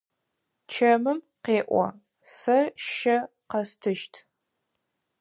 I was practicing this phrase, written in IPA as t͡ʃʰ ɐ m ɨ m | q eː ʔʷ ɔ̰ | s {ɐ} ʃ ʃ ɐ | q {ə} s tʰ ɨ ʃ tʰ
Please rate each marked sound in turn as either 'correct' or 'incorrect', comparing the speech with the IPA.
correct, incorrect

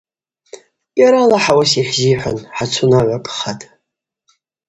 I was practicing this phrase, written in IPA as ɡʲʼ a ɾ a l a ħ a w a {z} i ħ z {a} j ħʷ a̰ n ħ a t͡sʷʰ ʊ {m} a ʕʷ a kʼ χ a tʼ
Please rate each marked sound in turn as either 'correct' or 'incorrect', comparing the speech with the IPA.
incorrect, incorrect, incorrect

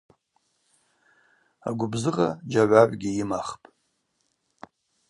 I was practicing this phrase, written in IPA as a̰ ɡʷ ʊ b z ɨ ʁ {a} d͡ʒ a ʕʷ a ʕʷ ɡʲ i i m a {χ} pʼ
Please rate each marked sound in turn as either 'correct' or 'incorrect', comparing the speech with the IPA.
correct, correct

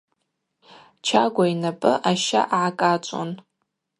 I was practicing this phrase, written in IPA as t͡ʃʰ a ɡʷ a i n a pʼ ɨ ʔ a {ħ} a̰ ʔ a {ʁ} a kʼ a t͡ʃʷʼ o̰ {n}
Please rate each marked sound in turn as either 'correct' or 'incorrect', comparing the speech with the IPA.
incorrect, incorrect, correct

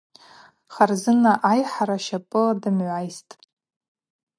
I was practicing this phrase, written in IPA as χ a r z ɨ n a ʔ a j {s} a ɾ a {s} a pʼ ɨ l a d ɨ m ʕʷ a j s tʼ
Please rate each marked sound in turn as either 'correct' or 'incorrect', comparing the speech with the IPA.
incorrect, incorrect

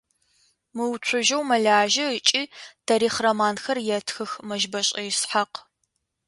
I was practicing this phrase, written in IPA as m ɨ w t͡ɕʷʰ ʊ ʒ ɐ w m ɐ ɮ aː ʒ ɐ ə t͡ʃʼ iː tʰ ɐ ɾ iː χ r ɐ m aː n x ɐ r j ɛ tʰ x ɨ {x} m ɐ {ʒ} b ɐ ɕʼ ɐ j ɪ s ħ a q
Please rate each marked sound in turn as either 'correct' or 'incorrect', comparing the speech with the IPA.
correct, correct

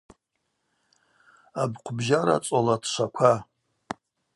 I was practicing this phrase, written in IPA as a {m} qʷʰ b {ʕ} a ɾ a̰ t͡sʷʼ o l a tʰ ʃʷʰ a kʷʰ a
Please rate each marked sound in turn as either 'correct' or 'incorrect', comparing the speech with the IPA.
incorrect, incorrect

